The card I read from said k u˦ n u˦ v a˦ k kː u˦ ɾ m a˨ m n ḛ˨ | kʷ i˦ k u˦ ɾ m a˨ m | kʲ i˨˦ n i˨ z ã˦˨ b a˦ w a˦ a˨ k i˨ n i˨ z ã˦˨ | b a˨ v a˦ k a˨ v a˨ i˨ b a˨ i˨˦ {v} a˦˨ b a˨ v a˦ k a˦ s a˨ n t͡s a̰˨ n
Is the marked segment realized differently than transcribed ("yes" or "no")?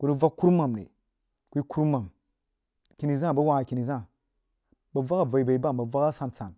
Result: yes